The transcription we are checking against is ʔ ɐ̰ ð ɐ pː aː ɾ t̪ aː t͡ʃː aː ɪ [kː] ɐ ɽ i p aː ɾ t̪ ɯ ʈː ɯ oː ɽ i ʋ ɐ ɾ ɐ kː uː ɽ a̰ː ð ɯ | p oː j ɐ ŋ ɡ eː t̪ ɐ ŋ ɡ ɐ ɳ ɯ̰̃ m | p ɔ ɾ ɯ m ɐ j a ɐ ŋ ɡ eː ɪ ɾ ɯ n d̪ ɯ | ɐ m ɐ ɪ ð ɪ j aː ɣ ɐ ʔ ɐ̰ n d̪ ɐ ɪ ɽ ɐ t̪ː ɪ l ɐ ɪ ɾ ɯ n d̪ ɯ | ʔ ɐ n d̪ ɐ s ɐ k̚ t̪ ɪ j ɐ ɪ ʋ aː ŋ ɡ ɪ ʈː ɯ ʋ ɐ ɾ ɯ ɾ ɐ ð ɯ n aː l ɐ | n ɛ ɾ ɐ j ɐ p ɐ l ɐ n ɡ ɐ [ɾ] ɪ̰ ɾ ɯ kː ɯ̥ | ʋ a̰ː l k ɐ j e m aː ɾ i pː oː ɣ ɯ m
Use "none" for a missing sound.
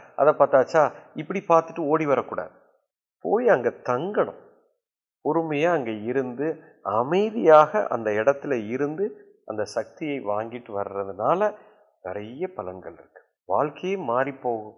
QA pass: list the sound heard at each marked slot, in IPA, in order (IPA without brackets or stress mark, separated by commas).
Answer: pː, ɭ